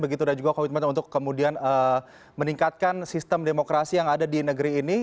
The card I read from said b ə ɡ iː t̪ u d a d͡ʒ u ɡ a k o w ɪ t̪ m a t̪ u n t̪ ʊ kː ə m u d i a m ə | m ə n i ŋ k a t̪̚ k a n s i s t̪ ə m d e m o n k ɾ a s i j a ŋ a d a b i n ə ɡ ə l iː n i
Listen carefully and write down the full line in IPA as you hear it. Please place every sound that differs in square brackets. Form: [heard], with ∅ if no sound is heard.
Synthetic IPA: b ə ɡ [i] t̪ u d a d͡ʒ u ɡ a k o w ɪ t̪ m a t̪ u n t̪ ʊ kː ə m u d i a [n] ə | m ə n i ŋ k a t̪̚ k a n s i s t̪ ə m d e m o [∅] k ɾ a s i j a ŋ a d a [d] i n ə ɡ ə [ɾ] iː n i